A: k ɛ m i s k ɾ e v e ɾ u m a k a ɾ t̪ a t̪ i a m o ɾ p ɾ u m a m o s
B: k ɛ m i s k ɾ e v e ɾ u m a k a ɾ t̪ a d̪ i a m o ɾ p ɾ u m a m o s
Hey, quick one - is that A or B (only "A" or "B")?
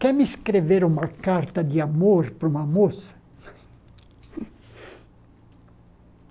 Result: B